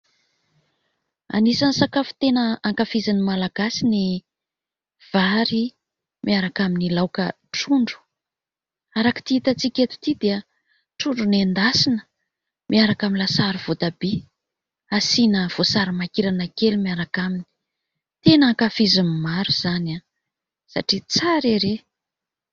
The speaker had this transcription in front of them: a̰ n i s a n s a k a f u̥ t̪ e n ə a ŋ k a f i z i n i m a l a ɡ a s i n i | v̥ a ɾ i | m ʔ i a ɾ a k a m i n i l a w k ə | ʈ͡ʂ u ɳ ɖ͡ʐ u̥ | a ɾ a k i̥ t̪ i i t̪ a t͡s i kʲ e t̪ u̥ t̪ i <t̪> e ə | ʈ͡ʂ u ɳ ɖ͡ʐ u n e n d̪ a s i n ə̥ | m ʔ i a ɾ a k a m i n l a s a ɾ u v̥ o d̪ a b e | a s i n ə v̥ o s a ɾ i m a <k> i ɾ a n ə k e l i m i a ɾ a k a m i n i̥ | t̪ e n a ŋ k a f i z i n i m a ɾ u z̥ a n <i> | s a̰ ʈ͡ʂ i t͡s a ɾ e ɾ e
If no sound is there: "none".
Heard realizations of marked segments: d̪, k, a

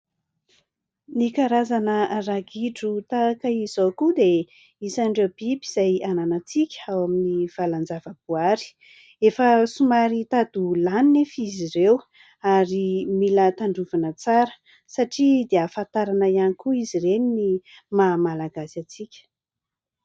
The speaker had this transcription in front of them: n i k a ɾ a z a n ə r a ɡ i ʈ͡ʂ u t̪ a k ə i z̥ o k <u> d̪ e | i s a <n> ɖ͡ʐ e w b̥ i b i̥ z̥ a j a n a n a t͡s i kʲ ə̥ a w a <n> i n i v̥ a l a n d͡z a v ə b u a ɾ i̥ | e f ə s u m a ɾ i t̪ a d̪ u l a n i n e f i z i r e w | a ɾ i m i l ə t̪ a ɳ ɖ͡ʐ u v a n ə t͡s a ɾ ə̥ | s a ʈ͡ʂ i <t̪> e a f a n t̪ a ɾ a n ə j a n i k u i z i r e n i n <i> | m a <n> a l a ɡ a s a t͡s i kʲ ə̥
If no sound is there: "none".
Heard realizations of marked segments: u, ɳ, m, d̪, i, m

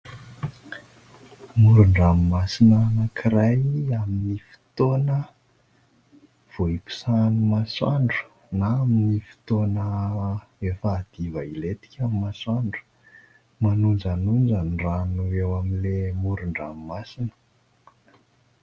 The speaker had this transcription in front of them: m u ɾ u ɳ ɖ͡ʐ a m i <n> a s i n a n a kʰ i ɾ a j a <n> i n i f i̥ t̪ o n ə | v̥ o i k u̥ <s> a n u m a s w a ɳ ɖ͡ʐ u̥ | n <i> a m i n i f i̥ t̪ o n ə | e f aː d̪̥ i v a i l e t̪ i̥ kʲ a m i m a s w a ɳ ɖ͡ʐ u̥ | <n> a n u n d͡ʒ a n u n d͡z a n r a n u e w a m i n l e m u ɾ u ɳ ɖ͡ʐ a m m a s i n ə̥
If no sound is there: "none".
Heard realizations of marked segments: m, m, s, a, m

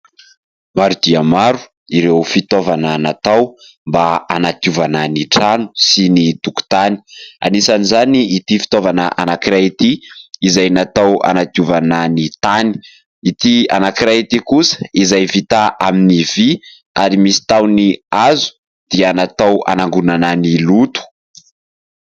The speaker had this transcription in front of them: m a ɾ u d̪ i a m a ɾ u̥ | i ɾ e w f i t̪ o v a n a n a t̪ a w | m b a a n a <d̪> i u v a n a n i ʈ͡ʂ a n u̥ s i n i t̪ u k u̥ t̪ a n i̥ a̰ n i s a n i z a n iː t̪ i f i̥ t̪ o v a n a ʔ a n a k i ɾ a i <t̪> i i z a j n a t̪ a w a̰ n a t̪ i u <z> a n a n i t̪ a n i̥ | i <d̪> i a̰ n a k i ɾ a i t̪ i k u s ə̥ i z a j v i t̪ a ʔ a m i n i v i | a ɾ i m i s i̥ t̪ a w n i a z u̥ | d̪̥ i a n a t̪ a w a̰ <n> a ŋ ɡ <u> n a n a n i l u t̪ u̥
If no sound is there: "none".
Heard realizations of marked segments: t̪, t̪, v, t̪, n, u

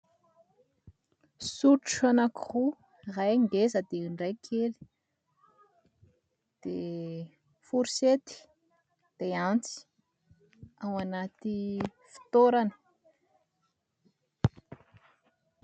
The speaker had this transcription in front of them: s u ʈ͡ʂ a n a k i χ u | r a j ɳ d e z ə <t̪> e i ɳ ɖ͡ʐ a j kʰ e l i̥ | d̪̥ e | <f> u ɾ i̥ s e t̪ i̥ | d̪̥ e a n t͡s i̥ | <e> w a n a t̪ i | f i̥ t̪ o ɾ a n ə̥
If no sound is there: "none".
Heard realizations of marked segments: d̪, f, a

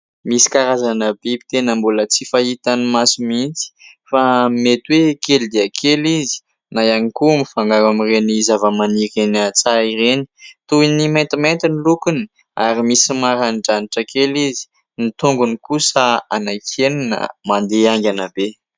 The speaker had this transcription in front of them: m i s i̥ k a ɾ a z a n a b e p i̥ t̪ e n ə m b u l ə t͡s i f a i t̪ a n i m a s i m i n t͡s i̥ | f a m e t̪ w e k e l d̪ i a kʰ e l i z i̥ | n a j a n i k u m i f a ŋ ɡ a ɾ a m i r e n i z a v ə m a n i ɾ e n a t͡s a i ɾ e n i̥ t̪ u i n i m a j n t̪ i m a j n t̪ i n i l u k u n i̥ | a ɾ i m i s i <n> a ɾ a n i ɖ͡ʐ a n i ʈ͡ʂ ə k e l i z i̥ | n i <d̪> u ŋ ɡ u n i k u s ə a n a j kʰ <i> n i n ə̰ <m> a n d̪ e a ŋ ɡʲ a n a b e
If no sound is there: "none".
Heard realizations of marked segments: m, t̪, e, m

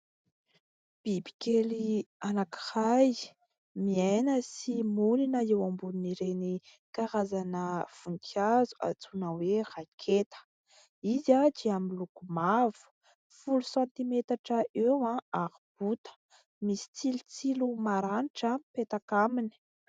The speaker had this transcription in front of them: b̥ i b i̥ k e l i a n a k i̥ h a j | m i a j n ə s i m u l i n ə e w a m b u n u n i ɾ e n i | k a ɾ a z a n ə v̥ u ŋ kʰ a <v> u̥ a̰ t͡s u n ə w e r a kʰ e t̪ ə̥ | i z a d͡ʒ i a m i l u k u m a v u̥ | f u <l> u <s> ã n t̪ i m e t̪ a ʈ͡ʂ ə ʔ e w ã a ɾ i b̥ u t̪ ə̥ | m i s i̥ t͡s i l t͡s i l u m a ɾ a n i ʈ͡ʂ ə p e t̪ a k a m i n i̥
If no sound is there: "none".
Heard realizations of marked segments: z, l, s

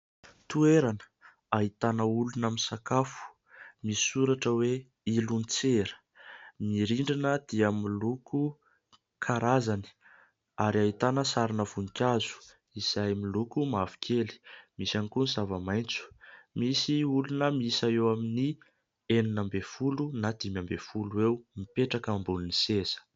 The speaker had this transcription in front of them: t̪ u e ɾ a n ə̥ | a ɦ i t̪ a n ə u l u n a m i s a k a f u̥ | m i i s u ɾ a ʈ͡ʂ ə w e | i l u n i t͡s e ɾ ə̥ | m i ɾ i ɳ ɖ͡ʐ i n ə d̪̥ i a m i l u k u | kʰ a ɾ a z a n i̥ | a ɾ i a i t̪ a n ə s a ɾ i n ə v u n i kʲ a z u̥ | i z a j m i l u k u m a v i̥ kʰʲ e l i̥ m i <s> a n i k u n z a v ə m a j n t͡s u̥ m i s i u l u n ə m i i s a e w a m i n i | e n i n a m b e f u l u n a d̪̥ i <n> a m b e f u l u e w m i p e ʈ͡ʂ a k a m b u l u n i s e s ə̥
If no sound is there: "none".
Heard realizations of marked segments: s, m

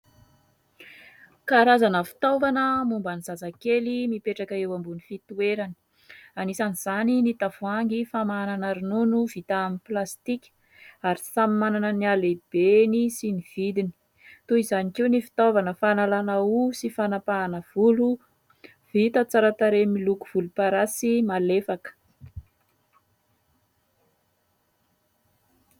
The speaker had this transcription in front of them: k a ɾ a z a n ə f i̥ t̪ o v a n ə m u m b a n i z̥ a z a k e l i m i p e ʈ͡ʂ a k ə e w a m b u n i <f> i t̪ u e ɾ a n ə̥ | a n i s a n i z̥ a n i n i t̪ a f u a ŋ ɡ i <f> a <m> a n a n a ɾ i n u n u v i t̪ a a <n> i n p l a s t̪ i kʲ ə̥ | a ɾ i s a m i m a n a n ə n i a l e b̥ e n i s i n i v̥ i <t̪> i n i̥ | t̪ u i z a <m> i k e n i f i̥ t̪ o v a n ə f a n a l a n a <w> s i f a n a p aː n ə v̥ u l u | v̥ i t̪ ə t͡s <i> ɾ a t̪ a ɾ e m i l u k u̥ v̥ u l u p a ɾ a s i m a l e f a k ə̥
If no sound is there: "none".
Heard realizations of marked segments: f, f, m, m, d̪, n, u, a

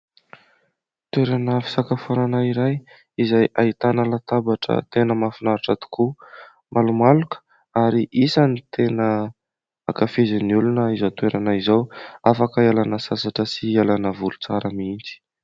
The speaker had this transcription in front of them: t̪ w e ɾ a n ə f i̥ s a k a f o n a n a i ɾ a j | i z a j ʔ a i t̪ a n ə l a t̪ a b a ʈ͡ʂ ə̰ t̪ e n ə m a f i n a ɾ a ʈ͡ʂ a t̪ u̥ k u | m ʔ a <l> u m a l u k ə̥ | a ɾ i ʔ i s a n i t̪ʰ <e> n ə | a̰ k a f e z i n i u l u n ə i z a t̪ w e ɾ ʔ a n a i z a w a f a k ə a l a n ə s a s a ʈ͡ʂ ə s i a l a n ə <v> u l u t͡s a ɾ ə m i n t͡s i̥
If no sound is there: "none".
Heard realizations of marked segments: l, e, v

